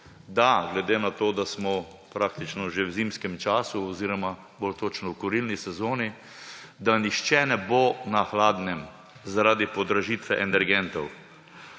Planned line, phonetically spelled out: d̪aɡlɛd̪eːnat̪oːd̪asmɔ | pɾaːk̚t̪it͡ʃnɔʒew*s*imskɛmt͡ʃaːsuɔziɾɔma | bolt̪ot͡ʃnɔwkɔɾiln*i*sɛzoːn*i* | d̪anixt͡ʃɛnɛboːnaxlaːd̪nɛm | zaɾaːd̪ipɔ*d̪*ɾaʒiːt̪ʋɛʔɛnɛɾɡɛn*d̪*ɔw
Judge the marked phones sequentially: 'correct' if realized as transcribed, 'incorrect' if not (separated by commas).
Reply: incorrect, correct, correct, correct, incorrect